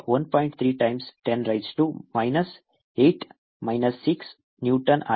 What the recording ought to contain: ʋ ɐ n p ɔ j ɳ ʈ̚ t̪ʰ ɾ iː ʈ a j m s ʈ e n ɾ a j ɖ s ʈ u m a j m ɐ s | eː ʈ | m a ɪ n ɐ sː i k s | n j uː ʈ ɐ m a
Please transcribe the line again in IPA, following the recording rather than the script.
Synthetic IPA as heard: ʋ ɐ n p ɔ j ɳ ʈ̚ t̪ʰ ɾ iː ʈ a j m s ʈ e n ɾ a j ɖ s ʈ u m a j n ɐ s | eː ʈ | m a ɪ n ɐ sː i k s | n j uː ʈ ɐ n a

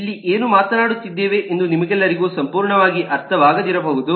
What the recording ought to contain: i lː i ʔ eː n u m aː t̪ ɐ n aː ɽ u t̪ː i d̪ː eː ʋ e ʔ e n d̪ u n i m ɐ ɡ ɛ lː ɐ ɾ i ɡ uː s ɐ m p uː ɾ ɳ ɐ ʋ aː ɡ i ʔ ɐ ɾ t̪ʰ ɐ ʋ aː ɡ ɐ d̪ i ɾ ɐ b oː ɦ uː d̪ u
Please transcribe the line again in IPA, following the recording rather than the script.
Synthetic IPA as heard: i lː i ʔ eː n u m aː t̪ ɐ n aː ɽ u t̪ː i d̪ː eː ʋ e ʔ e n d̪ u n i m ɐ ɡ ɛ lː ɐ ɾ i ɡ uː s ɐ m p uː ɾ ɳ ɐ ʋ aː ɡ i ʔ ɐ ɾ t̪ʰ ɐ ʋ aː ɡ ɐ d̪ i ɾ ɐ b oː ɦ u d̪ u

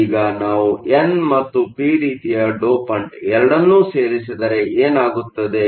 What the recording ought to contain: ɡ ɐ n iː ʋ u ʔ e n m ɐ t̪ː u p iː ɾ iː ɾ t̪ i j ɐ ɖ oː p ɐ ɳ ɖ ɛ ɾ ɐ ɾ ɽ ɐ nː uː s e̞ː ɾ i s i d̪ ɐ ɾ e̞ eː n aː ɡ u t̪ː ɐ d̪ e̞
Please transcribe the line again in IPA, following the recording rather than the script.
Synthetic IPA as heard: ɡ ɐ n aː ʋ u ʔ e n m ɐ t̪ː u p iː ɾ iː t̪ i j ɐ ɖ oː p ɐ ɳ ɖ ɛ ɾ ɐ ɽ ɐ nː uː s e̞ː ɾ i s i d̪ ɐ ɾ e̞ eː n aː ɡ u t̪ː ɐ d̪ e̞

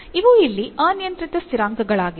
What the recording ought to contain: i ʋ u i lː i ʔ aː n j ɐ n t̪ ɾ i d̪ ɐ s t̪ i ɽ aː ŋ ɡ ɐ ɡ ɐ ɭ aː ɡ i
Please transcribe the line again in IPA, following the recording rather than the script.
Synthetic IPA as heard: i ʋ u i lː i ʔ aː n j ɐ n t̪ ɾ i t̪ ɐ s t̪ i ɾ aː ŋ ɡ ɐ ɡ ɐ ɭ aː ɡ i

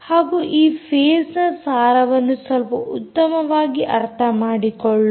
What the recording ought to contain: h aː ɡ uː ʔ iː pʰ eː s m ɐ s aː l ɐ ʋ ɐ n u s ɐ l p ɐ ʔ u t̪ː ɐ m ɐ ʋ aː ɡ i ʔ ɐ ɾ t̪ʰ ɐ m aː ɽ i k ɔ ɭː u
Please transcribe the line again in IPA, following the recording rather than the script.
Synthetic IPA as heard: h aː ɡ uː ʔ iː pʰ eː s n ɐ s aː ɾ ɐ ʋ ɐ nː u s ɐ l p ɐ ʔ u t̪ː ɐ m ɐ ʋ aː ɡ i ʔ ɐ ɾ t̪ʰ ɐ m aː ɽ i k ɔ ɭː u

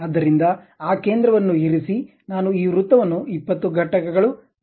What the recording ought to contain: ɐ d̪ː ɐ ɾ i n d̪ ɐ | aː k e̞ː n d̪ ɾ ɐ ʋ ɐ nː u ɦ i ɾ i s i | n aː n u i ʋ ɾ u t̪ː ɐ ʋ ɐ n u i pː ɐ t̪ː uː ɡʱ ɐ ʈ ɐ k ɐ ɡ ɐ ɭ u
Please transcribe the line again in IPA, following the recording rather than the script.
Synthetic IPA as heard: ɐ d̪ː ɐ ɾ i n d̪ ɐ | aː k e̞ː n d̪ ɾ ɐ ʋ ɐ nː u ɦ i ɾ i s i | n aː n u iː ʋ ɾ u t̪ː ɐ ʋ ɐ nː u i pː ɐ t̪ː u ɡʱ ɐ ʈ ɐ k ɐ ɡ ɐ ɭ u

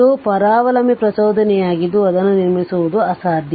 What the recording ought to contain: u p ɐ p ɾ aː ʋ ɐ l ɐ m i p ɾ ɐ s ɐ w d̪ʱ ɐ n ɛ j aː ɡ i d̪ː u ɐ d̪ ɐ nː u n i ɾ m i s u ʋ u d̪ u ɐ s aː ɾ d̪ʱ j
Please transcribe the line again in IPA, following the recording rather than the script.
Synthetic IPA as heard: u p ɐ ɾ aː ʋ ɐ l ɐ m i p ɾ ɐ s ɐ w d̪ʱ ɐ n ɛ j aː ɡ i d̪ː u ɐ d̪ ɐ nː u n i ɾ m i s u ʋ u d̪ u ɐ s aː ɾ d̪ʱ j

